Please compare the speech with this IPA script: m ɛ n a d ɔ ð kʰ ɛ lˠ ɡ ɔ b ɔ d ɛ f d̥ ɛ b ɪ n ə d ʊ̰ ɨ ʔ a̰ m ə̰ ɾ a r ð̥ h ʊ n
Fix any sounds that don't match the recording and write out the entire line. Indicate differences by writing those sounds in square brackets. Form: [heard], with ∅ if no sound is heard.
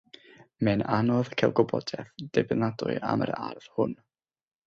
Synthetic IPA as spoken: m ɛ n a [n] ɔ ð kʰ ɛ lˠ ɡ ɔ b ɔ d ɛ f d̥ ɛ b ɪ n [a] d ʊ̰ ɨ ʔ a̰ m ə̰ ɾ a r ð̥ h ʊ n

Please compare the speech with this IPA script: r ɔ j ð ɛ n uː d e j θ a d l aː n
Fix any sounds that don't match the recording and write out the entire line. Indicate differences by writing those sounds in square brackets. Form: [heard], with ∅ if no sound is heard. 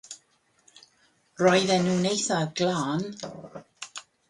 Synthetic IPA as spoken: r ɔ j ð ɛ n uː [n] e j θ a [ɡ] l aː n

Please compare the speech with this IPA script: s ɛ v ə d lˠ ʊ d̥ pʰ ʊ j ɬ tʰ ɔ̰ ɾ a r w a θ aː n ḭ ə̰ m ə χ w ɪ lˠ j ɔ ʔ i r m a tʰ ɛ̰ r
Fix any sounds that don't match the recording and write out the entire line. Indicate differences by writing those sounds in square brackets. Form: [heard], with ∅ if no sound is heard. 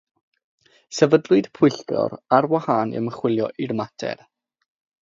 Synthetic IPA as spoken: s ɛ v ə d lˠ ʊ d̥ pʰ ʊ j ɬ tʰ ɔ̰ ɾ a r w a [h] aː n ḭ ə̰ m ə χ w ɪ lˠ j ɔ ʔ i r m a tʰ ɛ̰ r

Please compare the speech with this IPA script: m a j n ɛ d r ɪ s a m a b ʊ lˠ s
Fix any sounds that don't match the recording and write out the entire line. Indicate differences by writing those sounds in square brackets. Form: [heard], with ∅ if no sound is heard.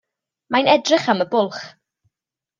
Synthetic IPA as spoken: m a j n ɛ d r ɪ [χ] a m [ə] b ʊ lˠ [χ]

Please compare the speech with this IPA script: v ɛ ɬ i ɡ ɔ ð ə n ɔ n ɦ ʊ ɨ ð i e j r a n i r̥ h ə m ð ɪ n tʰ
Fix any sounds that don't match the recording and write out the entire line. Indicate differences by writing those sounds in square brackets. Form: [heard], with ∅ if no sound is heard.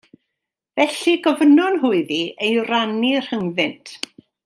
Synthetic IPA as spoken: v ɛ ɬ i ɡ ɔ [v] ə n ɔ n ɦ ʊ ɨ ð i e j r a n i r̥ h ə [ŋ] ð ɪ n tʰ

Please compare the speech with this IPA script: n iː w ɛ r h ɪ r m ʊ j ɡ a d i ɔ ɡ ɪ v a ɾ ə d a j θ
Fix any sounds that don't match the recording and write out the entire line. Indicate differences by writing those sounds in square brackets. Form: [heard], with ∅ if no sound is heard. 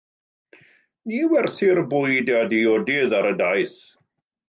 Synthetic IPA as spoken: n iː w ɛ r [θ] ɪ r [b] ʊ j [d] a d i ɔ [d] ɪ [ð] a ɾ ə d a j θ

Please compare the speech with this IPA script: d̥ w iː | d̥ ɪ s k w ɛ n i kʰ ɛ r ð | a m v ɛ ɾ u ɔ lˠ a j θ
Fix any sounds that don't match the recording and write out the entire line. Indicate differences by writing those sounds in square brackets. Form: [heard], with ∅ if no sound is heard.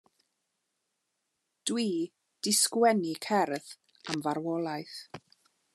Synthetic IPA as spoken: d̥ w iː | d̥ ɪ s k w ɛ n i kʰ ɛ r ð | a m v [a] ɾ [w] ɔ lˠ a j θ

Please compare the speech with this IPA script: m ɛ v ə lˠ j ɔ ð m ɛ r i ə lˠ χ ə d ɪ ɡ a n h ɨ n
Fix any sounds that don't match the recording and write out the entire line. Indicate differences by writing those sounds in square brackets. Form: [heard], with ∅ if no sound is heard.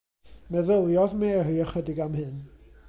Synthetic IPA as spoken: m ɛ [ð] ə lˠ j ɔ ð m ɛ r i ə [∅] χ ə d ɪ ɡ a [m] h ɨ n

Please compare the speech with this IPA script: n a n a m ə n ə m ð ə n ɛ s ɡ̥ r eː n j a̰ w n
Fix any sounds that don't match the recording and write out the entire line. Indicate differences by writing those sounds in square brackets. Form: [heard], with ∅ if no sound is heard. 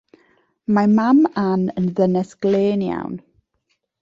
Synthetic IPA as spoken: [m] a [m] a m [a] n ə [n] ð ə n ɛ s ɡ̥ [l] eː n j a̰ w n

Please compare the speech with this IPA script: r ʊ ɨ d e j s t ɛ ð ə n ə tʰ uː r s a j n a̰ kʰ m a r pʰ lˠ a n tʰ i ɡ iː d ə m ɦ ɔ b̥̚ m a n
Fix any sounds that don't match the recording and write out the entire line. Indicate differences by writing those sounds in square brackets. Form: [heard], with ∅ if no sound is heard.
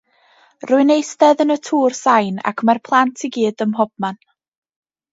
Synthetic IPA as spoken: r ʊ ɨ [n] e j s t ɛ ð ə n ə tʰ uː r s a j n a̰ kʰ m a r pʰ lˠ a n tʰ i ɡ iː d ə m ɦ ɔ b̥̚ m a n

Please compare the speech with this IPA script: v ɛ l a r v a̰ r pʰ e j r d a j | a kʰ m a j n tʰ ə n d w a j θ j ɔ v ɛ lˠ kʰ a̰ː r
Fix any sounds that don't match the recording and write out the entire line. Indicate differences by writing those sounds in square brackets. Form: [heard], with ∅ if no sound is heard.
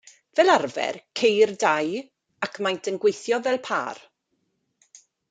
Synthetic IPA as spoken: v ɛ l a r v [ɛ̰] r [kʰ] e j r d a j | a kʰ m a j n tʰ ə n [ɡ] w [e] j θ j ɔ v ɛ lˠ [pʰ] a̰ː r

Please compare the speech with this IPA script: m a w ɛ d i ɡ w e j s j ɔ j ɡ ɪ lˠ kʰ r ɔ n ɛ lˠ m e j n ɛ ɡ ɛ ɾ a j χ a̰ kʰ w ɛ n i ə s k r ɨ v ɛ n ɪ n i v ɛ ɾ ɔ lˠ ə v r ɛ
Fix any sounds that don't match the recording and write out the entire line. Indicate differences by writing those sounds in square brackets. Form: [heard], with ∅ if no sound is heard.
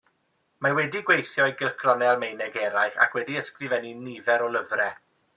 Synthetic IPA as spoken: m a w ɛ d i ɡ w e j [θ] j ɔ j ɡ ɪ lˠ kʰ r ɔ n ɛ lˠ m e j n ɛ ɡ ɛ ɾ a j χ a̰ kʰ w ɛ [d] i ə s k r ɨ v ɛ n [i] n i v ɛ ɾ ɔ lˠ ə v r ɛ

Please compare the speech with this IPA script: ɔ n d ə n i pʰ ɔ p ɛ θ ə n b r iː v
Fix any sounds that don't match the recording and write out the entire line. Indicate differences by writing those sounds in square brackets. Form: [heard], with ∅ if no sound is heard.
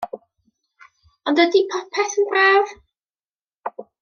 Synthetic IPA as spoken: ɔ n d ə [d] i pʰ ɔ [pʰ] ɛ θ ə n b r [aː] v

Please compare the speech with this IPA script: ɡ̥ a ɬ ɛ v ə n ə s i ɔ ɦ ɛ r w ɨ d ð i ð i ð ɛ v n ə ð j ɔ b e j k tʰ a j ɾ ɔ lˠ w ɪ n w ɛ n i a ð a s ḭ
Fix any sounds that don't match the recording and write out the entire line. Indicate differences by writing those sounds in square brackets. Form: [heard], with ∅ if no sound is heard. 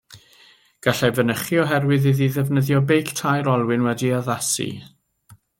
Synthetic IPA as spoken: ɡ̥ a ɬ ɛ v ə n ə [χ] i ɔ ɦ ɛ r w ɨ [∅] ð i ð i ð ɛ v n ə ð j ɔ b e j k tʰ a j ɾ ɔ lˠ w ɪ n w ɛ [d] i a ð a s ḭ

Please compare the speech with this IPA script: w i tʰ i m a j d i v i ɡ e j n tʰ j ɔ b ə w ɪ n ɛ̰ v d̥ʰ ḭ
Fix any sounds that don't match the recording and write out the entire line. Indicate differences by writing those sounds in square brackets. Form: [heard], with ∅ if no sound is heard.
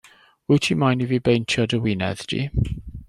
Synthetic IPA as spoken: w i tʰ i m a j [n] i v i [b] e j n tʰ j ɔ [d] ə w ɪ n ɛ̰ [ð] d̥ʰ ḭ

